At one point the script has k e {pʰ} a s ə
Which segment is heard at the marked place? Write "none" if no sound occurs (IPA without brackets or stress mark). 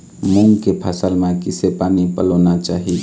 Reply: pʰ